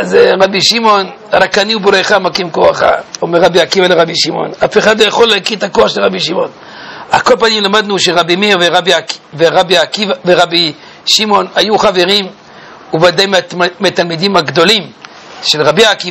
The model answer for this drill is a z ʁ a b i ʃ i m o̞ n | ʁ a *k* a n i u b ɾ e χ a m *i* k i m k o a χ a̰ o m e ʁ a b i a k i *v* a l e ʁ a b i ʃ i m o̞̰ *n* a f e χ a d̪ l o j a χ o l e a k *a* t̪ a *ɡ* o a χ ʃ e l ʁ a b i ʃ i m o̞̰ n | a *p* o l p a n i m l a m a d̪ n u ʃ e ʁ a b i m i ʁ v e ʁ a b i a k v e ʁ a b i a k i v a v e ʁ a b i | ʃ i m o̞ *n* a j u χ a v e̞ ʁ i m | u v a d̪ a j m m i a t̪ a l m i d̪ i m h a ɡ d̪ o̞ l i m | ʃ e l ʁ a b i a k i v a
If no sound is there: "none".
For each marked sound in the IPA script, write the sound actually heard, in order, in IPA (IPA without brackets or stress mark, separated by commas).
k, a, v, n, i, k, k, n